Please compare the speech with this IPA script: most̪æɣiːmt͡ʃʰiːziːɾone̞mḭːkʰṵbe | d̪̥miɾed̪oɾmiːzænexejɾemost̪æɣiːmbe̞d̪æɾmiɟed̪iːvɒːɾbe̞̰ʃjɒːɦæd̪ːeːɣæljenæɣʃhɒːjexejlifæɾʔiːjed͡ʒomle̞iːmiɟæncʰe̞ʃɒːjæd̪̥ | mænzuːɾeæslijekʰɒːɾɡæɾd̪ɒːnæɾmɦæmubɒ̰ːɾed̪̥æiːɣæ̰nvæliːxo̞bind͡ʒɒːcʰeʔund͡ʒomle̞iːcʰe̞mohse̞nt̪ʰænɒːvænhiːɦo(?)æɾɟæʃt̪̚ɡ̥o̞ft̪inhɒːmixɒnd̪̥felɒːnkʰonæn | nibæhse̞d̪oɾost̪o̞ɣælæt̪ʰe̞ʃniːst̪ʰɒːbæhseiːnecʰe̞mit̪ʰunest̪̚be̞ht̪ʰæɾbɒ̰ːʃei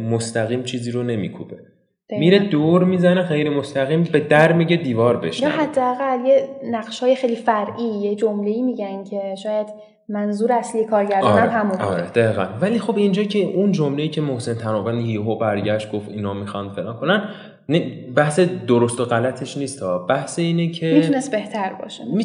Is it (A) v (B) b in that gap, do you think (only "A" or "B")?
B